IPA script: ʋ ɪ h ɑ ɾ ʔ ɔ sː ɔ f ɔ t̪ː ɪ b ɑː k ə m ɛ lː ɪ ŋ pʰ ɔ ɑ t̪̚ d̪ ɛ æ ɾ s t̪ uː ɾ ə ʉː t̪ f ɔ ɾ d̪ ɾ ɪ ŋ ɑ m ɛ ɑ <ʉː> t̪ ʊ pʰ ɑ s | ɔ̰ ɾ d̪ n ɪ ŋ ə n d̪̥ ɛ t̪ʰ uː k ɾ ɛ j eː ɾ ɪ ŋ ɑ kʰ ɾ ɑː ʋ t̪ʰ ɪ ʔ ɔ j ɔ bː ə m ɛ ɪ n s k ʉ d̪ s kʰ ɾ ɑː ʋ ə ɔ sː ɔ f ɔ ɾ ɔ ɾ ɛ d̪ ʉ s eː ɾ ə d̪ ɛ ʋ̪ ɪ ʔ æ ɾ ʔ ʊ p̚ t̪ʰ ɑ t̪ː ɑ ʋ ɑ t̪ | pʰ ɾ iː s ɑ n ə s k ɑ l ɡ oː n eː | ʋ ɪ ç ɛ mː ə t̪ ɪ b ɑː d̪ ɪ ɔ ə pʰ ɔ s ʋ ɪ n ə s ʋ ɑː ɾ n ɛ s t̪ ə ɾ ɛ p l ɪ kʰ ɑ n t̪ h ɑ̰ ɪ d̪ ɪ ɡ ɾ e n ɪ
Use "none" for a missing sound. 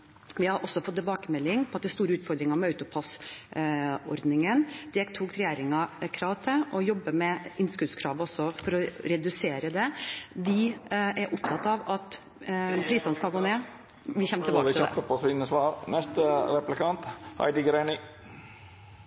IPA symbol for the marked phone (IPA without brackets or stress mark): ʉ